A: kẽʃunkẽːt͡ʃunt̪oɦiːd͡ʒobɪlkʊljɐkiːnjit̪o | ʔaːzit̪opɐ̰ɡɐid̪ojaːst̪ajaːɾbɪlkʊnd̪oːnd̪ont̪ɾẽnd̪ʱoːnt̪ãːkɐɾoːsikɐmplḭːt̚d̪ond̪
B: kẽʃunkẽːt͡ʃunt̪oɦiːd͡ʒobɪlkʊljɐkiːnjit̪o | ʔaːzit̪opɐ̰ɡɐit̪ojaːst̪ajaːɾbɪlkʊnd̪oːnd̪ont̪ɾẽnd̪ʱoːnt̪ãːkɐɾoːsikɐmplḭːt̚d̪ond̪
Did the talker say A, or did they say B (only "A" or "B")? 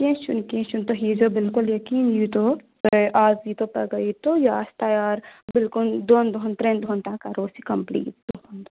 B